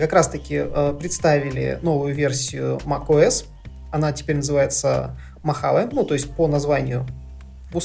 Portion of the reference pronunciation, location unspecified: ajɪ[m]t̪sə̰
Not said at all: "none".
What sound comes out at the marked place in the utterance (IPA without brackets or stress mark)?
none